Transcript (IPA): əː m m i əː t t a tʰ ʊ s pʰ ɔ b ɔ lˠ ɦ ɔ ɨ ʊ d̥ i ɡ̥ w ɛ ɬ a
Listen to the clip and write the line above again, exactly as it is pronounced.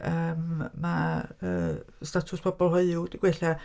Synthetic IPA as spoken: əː m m a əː s t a tʰ ʊ s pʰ ɔ b ɔ lˠ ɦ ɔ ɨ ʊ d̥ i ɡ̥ w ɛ ɬ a